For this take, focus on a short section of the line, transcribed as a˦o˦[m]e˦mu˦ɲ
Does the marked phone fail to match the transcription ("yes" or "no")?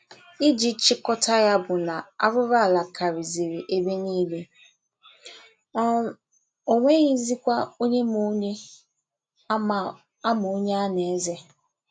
yes